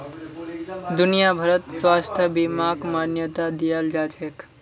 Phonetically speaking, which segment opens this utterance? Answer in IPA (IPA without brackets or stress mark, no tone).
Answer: d̪